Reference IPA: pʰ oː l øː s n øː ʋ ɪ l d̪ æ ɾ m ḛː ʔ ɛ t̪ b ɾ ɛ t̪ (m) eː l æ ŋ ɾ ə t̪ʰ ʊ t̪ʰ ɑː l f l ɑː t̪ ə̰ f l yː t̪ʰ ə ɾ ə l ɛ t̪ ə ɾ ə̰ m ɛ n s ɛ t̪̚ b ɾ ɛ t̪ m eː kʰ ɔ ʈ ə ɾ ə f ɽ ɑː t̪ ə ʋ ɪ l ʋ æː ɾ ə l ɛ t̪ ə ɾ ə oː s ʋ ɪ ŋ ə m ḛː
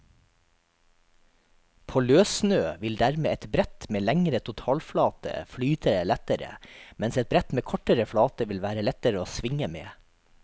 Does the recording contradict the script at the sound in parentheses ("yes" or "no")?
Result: no